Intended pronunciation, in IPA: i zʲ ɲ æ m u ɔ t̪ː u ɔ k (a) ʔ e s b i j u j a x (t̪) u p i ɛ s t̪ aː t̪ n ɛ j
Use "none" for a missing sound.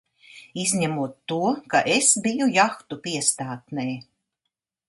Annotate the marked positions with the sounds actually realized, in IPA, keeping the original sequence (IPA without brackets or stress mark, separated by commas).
a, t̪